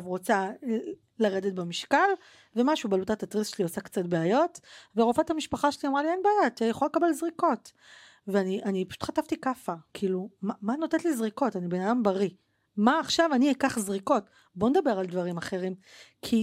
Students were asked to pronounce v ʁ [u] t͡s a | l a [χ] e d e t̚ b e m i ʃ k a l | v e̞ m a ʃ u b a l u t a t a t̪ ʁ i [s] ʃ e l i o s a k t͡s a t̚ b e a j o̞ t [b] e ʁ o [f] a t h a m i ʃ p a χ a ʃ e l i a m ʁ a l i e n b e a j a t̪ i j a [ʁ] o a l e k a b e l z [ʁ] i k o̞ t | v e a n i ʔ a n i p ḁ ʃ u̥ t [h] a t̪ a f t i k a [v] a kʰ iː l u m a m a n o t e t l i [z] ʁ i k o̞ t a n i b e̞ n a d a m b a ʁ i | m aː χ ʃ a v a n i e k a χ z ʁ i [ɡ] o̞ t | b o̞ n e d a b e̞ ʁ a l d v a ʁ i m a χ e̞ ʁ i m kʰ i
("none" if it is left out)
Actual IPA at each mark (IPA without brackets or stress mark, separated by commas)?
o, ʁ, s, v, f, χ, ʁ, χ, f, z, k